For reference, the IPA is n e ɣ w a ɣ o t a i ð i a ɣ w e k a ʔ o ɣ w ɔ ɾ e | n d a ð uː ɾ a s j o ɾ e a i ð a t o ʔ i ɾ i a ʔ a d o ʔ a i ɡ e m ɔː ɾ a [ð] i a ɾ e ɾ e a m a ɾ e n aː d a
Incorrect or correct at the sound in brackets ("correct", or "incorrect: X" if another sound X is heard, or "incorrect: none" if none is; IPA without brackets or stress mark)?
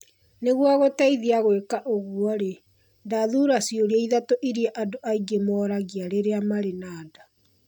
incorrect: ɣ